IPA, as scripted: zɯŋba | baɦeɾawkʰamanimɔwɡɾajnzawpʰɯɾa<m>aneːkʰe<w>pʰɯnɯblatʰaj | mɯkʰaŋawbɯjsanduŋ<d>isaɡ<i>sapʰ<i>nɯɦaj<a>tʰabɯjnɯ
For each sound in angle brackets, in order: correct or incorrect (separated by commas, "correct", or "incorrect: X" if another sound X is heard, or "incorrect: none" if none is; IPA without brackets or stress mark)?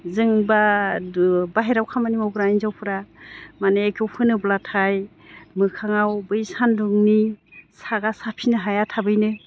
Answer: correct, correct, incorrect: n, incorrect: a, correct, correct